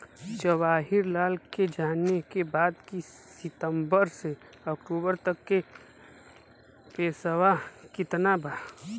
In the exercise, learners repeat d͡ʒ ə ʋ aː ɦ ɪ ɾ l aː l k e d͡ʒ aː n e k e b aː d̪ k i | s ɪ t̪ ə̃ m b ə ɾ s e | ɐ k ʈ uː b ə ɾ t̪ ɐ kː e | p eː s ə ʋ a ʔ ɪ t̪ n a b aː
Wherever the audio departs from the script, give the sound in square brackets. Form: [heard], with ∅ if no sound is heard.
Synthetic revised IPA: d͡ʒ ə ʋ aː ɦ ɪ ɾ l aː l k e d͡ʒ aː n e k e b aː d̪ k i | s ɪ t̪ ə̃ m b ə ɾ s e | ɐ k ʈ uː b ə ɾ t̪ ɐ kː e | p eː s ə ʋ a [k] ɪ t̪ n a b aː